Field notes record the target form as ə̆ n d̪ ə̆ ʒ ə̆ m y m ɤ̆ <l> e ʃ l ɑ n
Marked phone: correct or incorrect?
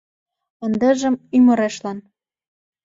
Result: incorrect